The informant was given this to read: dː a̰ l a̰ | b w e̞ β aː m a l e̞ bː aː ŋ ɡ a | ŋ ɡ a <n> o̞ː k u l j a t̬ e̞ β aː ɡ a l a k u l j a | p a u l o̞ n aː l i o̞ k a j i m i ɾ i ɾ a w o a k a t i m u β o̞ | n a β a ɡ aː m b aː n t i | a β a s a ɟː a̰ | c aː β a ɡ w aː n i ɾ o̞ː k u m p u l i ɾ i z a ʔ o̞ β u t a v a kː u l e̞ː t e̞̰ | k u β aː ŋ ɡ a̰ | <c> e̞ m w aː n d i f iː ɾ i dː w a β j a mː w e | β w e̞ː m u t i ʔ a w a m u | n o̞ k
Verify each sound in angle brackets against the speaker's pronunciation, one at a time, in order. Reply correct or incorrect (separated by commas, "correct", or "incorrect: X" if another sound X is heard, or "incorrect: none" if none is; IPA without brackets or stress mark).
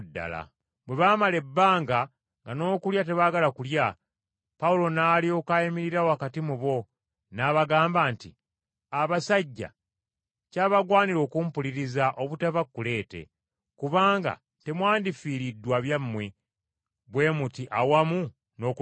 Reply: correct, incorrect: t